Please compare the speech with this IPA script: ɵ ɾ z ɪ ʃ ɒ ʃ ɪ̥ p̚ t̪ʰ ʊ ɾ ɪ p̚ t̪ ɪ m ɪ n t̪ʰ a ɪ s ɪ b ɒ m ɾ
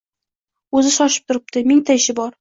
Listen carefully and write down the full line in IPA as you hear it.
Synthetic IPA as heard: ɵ z ɪ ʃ ɒ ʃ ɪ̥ p̚ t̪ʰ ʊ ɾ ɪ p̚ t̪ ɪ m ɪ ŋ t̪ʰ a ɪ ʃ ɪ b ɒ ɾ